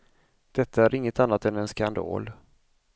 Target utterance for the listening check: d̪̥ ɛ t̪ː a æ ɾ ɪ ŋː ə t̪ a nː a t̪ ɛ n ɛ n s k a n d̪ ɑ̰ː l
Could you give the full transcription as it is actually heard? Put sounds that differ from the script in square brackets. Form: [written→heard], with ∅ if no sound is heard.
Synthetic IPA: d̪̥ ɛ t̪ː a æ ɾ ɪ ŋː ə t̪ a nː a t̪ ɛ n ɛ n s k a n d̪ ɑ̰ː l